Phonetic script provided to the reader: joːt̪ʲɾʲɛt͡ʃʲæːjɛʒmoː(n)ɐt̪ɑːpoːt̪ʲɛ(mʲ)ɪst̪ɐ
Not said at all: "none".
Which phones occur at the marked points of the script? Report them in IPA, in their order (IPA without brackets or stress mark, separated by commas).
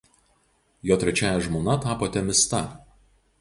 n, mʲ